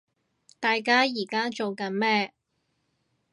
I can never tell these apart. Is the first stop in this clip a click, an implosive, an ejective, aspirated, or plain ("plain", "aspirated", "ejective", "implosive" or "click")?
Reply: plain